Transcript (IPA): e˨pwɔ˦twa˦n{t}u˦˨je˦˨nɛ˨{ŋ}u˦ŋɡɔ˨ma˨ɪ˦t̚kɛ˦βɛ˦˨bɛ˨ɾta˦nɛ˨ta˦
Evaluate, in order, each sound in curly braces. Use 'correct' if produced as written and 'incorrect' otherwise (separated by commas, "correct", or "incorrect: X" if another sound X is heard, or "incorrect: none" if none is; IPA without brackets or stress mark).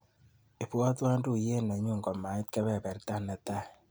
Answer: incorrect: d, incorrect: ɲ